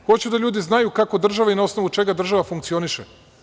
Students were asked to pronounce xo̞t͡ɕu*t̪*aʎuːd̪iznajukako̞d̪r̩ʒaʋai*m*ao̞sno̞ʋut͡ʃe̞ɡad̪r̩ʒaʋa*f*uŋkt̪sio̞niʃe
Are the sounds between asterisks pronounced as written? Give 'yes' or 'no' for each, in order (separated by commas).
no, no, yes